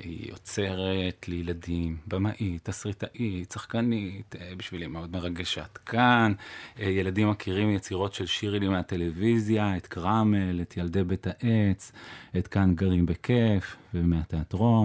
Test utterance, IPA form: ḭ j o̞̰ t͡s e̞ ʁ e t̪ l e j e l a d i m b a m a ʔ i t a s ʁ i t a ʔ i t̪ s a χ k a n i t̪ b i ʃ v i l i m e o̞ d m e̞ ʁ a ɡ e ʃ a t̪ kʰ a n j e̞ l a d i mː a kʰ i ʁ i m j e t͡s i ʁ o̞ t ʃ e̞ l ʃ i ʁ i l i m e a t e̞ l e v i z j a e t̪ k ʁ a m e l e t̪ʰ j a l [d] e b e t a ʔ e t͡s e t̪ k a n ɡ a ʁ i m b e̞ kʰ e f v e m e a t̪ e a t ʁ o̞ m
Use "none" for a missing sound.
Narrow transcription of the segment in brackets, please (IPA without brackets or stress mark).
d